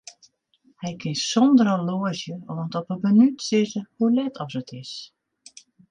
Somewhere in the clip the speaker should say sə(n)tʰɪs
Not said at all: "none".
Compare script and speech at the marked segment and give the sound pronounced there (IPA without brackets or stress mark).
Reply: none